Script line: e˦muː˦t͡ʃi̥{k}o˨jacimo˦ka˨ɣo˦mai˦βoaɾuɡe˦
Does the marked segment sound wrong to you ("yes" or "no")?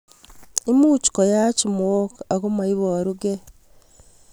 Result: no